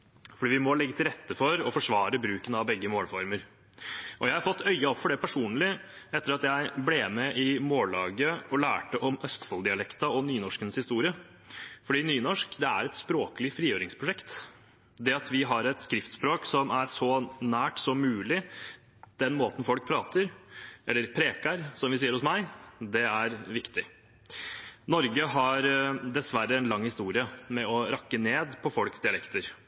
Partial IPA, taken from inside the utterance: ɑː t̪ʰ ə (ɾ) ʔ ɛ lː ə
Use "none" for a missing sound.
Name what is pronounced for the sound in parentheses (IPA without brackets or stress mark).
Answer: ɾ